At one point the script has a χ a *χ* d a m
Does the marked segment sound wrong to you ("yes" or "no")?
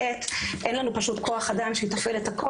yes